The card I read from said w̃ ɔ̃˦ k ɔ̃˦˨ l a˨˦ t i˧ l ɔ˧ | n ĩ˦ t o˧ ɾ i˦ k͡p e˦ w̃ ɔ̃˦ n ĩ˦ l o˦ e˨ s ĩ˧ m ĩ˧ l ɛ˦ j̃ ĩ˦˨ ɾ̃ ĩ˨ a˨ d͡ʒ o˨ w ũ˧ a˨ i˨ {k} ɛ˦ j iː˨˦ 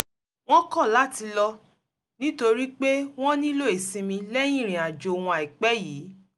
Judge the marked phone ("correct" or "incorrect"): incorrect